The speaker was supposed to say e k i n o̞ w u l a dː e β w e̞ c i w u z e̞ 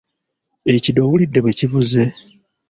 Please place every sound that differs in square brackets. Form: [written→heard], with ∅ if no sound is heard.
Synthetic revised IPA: e [k→c] i [n→d] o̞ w u l [a→i] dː e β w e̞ c i [w→β] u z e̞

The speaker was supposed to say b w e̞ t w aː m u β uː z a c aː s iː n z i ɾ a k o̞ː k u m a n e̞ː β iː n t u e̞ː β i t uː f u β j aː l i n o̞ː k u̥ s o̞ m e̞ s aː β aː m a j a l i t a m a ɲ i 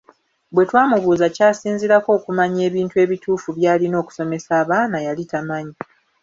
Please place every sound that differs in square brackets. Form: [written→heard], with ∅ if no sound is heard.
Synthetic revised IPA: b w e̞ t w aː m u β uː z a c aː s iː n z i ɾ a k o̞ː k u m a [n→ɲ] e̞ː β iː n t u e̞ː β i t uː f u β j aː l i n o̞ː k u̥ s o̞ m e̞ s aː β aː [m→n] a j a l i t a m a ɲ i

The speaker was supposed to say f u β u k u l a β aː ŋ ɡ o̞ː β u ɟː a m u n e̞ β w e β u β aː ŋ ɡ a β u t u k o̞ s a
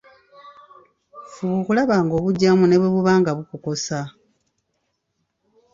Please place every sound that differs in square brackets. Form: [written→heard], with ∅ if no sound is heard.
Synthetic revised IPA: f u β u k u l a β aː ŋ ɡ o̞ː β u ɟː a m u n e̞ β w e β u β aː ŋ ɡ a β u [t→k] u k o̞ s a

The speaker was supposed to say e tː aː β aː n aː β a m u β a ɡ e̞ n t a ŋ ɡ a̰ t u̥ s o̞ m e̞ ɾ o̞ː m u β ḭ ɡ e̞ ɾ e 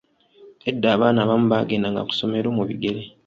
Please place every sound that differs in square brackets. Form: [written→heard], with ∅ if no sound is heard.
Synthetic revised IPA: e [tː→dː] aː β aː n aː β a m u β a ɡ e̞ n [t→d] a ŋ ɡ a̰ [t→k] u̥ s o̞ m e̞ ɾ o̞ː m u β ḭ ɡ e̞ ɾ e

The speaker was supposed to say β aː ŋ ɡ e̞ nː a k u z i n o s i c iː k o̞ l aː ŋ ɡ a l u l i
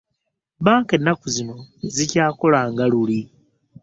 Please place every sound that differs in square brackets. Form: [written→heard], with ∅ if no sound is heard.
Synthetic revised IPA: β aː ŋ [ɡ→k] e̞ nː a k u z i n o [s→z] i c [iː→aː] k o̞ l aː ŋ ɡ a l u l i

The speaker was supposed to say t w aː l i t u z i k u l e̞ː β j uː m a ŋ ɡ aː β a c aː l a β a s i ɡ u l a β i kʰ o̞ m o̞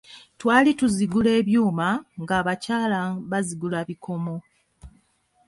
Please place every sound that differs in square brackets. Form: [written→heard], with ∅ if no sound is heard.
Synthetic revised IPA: t w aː l i t u z i [k→ɡ] u l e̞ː β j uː m a ŋ ɡ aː β a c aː l a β a [s→z] i ɡ u l a β i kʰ o̞ m o̞

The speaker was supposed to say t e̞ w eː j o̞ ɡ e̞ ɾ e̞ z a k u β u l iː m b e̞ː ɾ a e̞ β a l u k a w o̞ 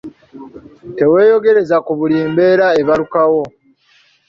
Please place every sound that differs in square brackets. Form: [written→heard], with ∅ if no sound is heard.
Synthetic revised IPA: t e̞ w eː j o̞ ɡ e̞ ɾ e̞ z a k u β u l iː m b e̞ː ɾ a e̞ β a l u k a w o̞

